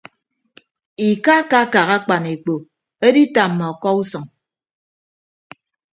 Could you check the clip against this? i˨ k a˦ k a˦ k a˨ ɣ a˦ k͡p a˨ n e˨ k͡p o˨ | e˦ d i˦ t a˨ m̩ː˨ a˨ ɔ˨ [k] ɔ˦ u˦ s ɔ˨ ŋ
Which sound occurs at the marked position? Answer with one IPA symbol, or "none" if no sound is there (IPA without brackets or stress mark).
k